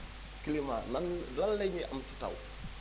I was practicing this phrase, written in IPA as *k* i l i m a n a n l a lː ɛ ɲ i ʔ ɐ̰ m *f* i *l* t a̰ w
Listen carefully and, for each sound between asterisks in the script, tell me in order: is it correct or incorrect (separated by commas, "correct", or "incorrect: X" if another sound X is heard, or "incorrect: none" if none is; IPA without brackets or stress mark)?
correct, incorrect: s, incorrect: none